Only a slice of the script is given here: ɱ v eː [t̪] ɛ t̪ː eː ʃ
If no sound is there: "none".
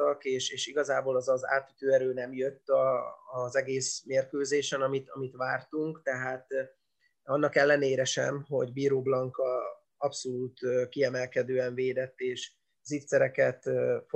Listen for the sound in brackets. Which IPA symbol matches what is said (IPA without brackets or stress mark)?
d̪